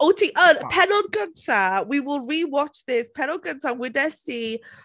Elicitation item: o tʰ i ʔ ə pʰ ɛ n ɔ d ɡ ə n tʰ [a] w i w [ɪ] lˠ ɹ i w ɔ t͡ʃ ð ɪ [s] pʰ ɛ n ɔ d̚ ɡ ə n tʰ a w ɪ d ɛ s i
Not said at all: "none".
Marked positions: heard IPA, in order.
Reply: a, ɪ, s

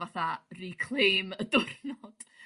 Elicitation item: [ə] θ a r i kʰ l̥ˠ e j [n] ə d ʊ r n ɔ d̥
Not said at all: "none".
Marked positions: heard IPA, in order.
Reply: a, m

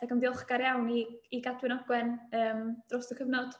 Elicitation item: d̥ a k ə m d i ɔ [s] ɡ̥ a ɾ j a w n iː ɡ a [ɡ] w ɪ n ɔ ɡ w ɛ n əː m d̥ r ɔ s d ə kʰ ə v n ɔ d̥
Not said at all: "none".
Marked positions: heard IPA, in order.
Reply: χ, d

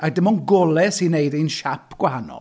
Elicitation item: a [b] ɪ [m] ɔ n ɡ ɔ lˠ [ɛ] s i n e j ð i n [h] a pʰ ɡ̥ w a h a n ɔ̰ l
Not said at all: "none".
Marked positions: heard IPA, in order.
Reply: d, m, ɛ, ʃ

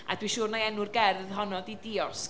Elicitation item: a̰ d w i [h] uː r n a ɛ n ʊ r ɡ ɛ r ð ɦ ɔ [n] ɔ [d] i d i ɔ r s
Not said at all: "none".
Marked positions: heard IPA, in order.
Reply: ʃ, n, d

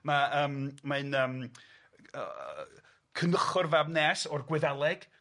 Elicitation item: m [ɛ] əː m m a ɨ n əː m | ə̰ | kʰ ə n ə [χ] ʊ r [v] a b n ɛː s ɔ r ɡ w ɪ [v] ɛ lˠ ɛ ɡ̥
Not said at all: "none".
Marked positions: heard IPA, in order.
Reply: a, χ, v, ð

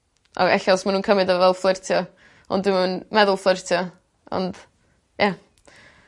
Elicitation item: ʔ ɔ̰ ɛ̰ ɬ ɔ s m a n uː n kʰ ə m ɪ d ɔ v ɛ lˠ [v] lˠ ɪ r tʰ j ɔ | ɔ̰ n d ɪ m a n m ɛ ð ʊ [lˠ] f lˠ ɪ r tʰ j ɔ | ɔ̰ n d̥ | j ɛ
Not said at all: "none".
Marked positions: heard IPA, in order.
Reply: f, lˠ

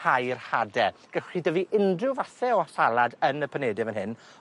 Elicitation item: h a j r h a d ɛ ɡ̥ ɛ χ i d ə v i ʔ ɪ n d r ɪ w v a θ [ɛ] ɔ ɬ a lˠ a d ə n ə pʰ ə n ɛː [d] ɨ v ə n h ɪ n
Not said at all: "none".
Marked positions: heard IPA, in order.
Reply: ɛ, d

